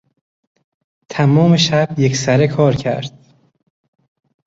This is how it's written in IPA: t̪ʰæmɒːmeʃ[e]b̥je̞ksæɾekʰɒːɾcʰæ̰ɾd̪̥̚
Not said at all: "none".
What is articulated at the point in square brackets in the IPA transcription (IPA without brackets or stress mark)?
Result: æ